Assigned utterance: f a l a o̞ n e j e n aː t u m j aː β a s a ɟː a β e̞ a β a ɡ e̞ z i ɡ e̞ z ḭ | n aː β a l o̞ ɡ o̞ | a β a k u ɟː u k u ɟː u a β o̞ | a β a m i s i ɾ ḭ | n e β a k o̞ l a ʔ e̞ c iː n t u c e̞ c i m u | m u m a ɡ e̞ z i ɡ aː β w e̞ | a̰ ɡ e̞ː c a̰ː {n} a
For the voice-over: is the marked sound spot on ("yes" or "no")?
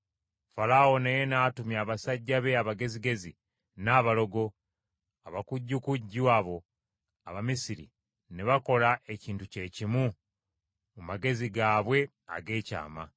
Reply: no